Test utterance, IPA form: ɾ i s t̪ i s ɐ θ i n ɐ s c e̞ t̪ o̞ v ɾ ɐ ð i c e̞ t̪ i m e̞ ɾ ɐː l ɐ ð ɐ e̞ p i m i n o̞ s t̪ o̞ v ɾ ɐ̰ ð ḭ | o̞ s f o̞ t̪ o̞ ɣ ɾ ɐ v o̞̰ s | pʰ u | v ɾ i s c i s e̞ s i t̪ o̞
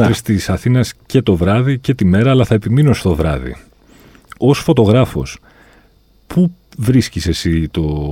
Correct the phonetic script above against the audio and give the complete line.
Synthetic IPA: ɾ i s t̪ i s ɐ θ i n ɐ s c e̞ t̪ o̞ v ɾ ɐ ð i c e̞ t̪ i m e̞ ɾ ɐː l ɐ θ ɐ e̞ p i m i n o̞ s t̪ o̞ v ɾ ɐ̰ ð ḭ | o̞ s f o̞ t̪ o̞ ɣ ɾ ɐ f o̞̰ s | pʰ u | v ɾ i s c i s e̞ s i t̪ o̞